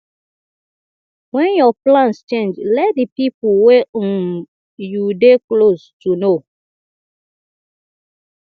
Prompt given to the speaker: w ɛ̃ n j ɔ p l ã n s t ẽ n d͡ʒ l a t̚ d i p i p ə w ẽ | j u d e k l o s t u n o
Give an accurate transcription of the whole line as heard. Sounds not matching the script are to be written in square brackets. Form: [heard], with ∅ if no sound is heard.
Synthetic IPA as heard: w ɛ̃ n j ɔ p l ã n s [t͡ʃ] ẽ n d͡ʒ l [ɛ] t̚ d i p i p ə w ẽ | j u d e k l o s t u n o